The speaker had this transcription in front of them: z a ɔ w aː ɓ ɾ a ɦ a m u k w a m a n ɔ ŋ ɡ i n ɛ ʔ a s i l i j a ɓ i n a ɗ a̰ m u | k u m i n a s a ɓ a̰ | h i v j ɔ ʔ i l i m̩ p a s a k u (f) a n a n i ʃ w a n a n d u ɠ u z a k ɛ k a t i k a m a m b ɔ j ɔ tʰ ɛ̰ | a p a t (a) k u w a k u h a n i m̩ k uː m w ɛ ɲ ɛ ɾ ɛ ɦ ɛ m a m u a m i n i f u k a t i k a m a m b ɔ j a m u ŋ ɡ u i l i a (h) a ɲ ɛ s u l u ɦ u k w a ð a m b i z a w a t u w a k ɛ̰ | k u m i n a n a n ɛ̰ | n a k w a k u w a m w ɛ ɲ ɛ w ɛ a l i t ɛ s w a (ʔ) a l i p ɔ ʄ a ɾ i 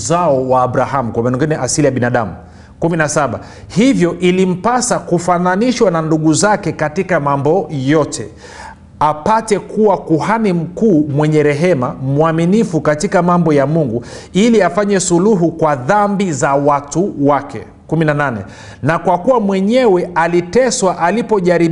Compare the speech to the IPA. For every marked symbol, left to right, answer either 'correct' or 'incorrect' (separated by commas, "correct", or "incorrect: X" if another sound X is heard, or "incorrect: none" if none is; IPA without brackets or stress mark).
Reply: correct, incorrect: ɛ, incorrect: f, correct